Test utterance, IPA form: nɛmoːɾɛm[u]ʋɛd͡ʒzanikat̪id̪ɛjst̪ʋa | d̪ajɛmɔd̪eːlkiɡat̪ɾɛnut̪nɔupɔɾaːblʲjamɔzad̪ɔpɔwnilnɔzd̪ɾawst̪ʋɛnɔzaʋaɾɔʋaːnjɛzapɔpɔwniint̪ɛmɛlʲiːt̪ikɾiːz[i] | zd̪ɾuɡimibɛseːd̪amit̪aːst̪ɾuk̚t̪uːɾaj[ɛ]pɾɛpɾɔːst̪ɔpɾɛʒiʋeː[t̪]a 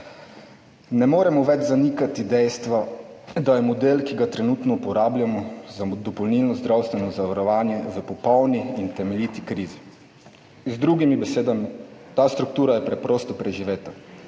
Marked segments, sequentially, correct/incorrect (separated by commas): incorrect, correct, correct, correct